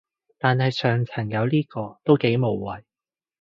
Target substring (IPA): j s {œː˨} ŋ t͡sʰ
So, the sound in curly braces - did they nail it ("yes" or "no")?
yes